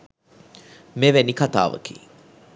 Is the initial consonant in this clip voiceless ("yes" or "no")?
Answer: no